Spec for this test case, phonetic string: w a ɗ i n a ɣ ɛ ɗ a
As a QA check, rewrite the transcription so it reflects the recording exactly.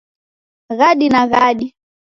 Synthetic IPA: ɣ a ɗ i n a ɣ a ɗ i